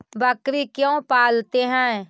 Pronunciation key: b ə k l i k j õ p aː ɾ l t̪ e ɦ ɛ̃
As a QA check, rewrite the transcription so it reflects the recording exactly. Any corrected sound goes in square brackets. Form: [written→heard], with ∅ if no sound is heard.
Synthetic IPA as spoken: b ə k [l→ɾ] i k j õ p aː [ɾ→∅] l t̪ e ɦ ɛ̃

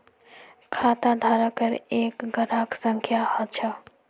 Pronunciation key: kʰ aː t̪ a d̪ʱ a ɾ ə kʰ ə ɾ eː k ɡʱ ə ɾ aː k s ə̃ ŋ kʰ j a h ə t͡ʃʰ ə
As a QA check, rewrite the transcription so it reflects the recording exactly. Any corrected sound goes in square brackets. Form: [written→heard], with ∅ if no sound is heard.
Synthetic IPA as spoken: kʰ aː t̪ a d̪ʱ a ɾ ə [kʰ→k] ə ɾ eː k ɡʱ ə ɾ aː k s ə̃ ŋ kʰ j a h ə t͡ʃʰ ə

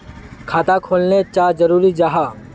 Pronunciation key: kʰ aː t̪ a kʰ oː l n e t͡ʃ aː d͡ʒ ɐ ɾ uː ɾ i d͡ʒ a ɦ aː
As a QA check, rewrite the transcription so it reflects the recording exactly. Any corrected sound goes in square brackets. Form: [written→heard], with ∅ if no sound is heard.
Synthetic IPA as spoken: kʰ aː t̪ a kʰ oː l n e t͡ʃ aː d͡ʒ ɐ ɾ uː ɾ i d͡ʒ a ɦ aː

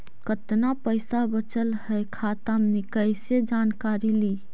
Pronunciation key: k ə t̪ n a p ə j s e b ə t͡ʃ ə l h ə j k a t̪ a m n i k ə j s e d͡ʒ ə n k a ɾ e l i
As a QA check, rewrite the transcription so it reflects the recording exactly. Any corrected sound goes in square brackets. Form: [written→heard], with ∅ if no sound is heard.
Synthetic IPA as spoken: k ə t̪ n a p ə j s [e→a] b ə t͡ʃ ə l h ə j [k→kʰ] a t̪ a m n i k ə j s e d͡ʒ [ə→a] n k a ɾ [e→i] l i

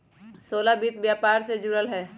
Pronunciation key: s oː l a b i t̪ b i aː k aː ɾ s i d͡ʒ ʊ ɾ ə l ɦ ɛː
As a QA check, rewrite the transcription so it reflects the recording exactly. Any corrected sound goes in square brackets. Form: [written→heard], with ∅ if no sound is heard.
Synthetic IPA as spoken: s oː l a b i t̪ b [i→j] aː [k→p] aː ɾ s [i→e] d͡ʒ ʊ ɾ ə l ɦ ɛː

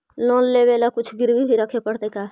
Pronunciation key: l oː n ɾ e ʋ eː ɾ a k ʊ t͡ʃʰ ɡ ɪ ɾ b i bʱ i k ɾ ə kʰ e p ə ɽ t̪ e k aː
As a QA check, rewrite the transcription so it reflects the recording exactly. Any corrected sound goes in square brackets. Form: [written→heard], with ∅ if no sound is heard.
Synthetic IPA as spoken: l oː n [ɾ→l] e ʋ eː [ɾ→l] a k ʊ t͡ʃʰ ɡ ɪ ɾ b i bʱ i [k→∅] ɾ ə kʰ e p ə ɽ t̪ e k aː

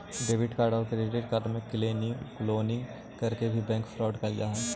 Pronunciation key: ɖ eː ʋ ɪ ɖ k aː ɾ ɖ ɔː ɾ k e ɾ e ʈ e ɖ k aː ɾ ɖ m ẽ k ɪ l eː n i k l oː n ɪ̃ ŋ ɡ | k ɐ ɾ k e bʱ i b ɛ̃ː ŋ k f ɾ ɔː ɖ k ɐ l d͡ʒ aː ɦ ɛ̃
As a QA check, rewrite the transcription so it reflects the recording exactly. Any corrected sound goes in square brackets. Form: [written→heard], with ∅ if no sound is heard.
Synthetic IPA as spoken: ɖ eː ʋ ɪ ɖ k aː ɾ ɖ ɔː ɾ k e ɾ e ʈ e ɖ k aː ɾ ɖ m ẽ k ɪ l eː n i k l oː n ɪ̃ ŋ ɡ | k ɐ ɾ k e bʱ i b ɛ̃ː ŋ k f ɾ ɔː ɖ k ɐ l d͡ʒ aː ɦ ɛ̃

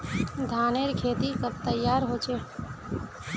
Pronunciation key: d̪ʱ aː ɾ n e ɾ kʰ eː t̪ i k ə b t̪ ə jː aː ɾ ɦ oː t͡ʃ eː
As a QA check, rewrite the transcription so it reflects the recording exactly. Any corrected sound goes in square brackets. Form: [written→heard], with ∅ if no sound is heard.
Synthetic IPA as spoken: d̪ʱ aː [ɾ→∅] n e ɾ kʰ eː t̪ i k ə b t̪ ə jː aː ɾ ɦ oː t͡ʃ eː

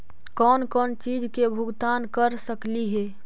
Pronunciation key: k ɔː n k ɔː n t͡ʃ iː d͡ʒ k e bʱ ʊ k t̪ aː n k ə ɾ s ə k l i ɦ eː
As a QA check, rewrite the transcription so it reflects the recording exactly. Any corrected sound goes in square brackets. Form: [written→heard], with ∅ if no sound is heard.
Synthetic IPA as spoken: k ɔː n k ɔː n t͡ʃ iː d͡ʒ k e bʱ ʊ [k→ɡ] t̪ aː n k ə ɾ s ə k l i ɦ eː

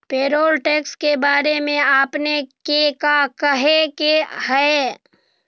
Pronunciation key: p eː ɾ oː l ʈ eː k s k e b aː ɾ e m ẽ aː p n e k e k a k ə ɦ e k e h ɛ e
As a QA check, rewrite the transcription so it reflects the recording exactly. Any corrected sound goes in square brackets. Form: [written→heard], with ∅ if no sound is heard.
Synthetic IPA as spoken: p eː ɾ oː l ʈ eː k s k e b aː ɾ e m ẽ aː p n e k e k a k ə ɦ e k e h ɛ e

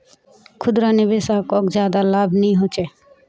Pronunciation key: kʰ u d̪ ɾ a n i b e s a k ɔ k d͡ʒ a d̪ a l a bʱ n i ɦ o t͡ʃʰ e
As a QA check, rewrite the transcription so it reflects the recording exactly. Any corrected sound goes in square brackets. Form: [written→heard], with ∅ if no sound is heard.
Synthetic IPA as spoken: kʰ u d̪ ɾ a n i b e s a k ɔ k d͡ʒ a d̪ a l a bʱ n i ɦ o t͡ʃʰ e

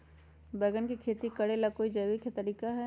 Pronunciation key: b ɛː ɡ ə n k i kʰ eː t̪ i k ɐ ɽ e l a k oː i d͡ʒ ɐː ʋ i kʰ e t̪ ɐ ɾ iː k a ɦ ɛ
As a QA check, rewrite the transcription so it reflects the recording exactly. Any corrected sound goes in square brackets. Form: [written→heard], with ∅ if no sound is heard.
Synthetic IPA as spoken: b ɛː ɡ ə n k i kʰ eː t̪ i k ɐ ɽ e l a k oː i d͡ʒ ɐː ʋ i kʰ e t̪ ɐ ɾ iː k a ɦ ɛ

